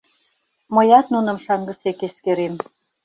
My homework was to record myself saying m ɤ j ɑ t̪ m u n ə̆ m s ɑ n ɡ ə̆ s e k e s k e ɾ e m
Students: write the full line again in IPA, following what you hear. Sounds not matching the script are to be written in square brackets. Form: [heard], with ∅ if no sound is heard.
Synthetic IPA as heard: m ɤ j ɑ t̪ [n] u n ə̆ m [ʃ] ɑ [ŋ] ɡ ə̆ s e k e s k e ɾ e m